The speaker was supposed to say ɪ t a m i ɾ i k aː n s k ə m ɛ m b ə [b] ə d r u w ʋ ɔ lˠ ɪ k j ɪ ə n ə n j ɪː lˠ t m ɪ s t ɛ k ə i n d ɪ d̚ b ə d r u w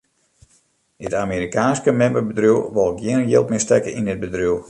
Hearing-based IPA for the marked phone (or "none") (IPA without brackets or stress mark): b